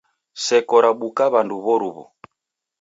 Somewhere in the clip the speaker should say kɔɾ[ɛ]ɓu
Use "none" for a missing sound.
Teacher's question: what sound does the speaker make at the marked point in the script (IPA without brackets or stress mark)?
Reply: a